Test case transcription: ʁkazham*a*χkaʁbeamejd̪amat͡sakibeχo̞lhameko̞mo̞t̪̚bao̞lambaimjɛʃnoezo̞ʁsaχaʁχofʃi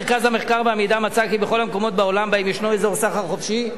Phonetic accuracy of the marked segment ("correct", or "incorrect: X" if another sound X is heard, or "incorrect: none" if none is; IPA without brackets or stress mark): incorrect: e